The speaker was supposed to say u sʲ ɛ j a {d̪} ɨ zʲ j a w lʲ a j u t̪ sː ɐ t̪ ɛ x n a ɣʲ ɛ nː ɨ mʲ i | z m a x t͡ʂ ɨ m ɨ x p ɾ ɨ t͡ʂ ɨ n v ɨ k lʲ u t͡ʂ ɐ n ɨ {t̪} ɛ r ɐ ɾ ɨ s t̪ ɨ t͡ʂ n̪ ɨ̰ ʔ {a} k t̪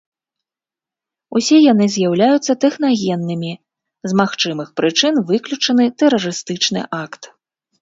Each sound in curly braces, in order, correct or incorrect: incorrect, correct, correct

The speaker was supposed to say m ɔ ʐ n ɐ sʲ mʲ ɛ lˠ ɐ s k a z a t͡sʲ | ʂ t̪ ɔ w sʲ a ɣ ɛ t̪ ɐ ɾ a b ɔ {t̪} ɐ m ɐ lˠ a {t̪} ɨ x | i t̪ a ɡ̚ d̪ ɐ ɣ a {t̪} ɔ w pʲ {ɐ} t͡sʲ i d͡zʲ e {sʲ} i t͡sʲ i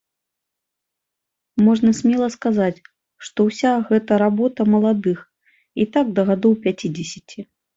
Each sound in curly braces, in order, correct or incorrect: correct, incorrect, incorrect, incorrect, correct

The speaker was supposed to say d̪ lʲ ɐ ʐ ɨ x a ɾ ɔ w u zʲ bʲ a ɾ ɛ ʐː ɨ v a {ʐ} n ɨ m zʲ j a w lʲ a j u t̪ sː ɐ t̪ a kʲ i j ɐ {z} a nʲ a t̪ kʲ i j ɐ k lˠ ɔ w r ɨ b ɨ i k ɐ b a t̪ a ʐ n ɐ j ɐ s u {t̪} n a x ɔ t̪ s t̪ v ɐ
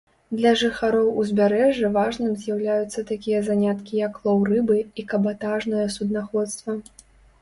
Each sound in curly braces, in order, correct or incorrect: correct, correct, incorrect

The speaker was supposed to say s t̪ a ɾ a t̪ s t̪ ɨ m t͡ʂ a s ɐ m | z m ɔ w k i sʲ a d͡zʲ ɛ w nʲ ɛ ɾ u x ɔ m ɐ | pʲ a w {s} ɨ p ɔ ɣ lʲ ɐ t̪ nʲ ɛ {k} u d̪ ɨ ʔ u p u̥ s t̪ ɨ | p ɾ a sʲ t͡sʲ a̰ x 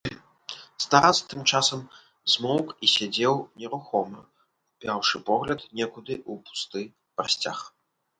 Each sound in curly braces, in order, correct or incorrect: incorrect, correct

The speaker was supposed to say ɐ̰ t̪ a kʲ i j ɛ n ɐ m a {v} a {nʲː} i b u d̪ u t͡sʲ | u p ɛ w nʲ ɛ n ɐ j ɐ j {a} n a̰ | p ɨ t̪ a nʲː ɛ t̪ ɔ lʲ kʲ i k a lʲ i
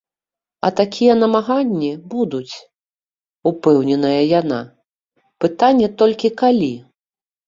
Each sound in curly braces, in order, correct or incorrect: incorrect, correct, correct

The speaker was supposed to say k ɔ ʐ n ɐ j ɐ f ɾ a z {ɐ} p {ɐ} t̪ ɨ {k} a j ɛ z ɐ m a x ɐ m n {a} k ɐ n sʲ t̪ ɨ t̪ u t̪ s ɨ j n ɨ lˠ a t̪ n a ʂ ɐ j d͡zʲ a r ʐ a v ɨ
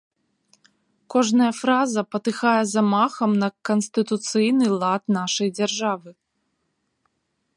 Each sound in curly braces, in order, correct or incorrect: correct, correct, incorrect, incorrect

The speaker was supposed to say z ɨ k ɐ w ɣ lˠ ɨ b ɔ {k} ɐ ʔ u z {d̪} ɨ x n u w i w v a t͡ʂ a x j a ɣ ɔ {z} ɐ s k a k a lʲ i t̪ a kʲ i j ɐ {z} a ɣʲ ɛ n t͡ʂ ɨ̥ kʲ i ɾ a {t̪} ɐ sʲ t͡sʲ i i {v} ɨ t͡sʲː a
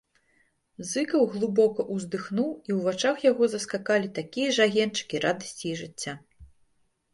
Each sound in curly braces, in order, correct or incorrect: correct, correct, correct, incorrect, incorrect, incorrect

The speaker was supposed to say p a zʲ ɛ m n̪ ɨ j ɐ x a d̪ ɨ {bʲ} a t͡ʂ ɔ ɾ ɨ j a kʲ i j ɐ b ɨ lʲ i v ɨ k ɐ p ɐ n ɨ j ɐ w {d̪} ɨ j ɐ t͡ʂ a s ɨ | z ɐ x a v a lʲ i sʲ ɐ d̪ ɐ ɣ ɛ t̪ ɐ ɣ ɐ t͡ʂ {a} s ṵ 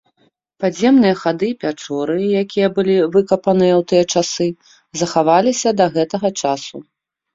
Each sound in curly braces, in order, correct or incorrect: incorrect, incorrect, correct

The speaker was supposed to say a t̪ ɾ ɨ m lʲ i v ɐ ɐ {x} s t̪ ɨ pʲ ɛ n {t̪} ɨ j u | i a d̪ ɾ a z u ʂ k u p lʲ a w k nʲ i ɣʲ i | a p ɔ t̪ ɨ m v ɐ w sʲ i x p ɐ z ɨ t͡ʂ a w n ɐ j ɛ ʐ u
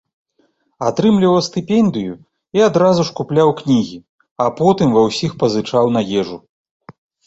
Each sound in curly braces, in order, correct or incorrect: incorrect, incorrect

